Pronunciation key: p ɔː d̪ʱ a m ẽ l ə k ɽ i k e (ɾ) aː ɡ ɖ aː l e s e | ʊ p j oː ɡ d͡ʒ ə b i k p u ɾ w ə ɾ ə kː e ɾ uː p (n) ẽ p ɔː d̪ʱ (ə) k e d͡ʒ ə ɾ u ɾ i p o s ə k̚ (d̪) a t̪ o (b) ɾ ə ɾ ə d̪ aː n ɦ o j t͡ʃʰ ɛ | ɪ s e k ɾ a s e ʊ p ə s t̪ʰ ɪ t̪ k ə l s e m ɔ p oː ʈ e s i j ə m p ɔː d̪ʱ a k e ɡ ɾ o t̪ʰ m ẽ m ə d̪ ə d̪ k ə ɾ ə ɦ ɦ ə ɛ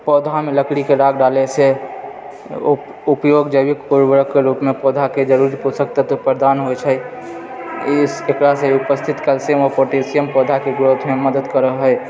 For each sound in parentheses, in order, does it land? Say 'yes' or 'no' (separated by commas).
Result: yes, no, no, no, no